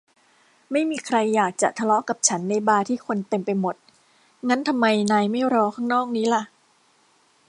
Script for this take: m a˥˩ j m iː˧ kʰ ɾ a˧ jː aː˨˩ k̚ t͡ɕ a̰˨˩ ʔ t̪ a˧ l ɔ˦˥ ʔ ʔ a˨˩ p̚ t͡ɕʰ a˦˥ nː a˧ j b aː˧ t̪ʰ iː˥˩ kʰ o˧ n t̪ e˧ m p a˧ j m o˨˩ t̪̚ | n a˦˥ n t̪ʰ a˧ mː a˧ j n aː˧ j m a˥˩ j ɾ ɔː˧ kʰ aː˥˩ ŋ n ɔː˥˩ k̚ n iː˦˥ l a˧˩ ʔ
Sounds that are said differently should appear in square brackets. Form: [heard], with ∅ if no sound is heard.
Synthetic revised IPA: m a˥˩ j m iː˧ kʰ ɾ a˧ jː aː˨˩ k̚ t͡ɕ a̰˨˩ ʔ [t̪ʰ] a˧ l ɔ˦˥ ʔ [k] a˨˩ p̚ t͡ɕʰ a˦˥ nː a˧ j b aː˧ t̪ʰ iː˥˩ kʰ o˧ n t̪ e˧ m p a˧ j m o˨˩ t̪̚ | [ŋ] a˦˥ n t̪ʰ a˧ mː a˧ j n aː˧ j m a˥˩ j ɾ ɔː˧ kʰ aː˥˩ ŋ n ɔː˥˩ k̚ n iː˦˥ l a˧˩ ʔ

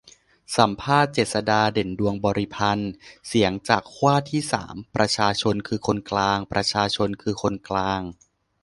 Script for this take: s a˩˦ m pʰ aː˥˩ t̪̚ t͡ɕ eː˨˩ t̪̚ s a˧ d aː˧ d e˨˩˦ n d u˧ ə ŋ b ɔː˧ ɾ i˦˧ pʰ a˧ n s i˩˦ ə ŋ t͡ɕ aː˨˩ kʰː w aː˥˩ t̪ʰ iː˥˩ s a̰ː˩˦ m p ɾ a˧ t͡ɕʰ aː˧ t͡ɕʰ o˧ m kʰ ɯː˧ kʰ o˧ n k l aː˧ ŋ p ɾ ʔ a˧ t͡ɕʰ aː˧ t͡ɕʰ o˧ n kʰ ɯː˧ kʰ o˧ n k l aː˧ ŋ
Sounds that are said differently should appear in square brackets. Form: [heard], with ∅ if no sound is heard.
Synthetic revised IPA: s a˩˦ m pʰ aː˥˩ t̪̚ t͡ɕ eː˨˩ t̪̚ s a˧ d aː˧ d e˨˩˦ n d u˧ ə ŋ b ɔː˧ ɾ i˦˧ pʰ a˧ n s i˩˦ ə ŋ t͡ɕ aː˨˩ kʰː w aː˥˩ t̪ʰ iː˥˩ s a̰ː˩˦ m p ɾ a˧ t͡ɕʰ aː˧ t͡ɕʰ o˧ [n] kʰ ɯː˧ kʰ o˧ n k l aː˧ ŋ p ɾ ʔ a˧ t͡ɕʰ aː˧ t͡ɕʰ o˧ n kʰ ɯː˧ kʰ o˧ n k l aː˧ ŋ

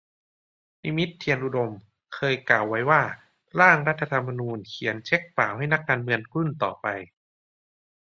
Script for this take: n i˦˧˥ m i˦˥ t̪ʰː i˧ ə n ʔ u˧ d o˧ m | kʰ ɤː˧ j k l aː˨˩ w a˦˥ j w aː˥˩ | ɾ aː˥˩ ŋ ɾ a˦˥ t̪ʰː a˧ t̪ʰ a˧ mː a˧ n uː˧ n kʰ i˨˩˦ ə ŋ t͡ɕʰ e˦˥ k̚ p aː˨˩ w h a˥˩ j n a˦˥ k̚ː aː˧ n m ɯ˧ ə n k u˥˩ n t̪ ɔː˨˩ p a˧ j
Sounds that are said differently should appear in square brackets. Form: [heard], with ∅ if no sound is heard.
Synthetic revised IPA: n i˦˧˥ m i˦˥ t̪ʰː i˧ ə n ʔ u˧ d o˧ m | kʰ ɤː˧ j k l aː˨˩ [wː] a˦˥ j w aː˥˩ | ɾ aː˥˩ ŋ ɾ a˦˥ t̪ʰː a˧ t̪ʰ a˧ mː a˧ n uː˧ n kʰ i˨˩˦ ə [n] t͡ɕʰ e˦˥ k̚ p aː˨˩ w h a˥˩ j n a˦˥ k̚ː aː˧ n m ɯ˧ ə n k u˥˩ n t̪ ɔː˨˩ p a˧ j

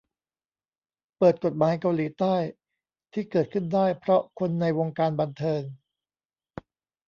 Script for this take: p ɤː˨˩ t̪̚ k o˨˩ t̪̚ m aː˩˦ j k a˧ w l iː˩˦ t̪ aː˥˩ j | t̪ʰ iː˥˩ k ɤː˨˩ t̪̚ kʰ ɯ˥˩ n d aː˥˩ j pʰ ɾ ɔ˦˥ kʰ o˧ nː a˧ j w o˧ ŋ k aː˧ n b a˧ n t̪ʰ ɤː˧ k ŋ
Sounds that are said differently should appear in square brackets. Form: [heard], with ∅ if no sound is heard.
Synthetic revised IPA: p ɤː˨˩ t̪̚ k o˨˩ t̪̚ m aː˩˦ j k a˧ w l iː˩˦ t̪ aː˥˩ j | t̪ʰ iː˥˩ k ɤː˨˩ t̪̚ kʰ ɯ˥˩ n d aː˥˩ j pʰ ɾ ɔ˦˥ kʰ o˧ nː a˧ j w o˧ ŋ k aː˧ n b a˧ n t̪ʰ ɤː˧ [∅] ŋ

